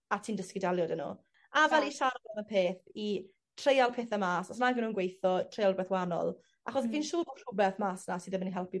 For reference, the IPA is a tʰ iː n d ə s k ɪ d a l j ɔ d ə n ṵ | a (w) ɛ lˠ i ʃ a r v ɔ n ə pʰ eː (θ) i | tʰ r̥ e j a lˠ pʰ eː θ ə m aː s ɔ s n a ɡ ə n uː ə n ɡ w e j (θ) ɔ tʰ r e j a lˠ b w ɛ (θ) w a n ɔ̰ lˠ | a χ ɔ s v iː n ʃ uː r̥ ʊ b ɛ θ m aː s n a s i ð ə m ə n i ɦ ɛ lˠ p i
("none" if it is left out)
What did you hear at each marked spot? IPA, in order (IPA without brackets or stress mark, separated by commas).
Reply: v, θ, θ, θ